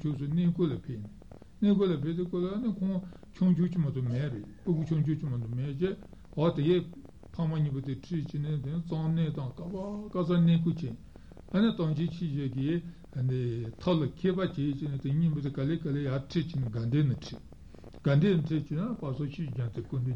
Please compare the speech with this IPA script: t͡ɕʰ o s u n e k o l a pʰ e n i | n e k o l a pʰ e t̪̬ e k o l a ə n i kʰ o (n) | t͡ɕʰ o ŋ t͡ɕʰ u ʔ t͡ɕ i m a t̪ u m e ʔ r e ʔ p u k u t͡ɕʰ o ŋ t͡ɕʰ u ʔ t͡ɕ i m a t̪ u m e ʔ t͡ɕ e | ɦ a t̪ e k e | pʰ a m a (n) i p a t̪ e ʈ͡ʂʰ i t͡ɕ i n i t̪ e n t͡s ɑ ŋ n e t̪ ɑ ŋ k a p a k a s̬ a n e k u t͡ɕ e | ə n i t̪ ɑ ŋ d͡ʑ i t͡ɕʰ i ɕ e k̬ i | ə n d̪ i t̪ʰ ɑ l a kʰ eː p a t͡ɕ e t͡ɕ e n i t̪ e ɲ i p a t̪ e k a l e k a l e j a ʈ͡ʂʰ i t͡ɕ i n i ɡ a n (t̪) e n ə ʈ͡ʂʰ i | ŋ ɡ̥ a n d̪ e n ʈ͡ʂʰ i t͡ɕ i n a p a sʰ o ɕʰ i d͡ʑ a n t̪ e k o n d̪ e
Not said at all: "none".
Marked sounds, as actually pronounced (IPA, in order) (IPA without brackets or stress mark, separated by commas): ŋ, ɲ, d̪